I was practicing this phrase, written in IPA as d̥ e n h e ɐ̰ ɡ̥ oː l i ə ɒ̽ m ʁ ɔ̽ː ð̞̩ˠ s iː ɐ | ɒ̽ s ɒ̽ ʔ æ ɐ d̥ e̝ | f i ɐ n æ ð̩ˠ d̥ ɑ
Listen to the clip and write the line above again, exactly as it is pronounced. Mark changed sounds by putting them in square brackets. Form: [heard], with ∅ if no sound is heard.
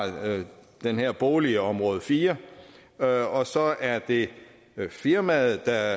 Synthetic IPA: d̥ e n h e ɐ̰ [b̥] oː l i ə ɒ̽ m ʁ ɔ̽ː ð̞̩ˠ [f] iː ɐ | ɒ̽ s ɒ̽ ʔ æ ɐ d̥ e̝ | f i ɐ [m] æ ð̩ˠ d̥ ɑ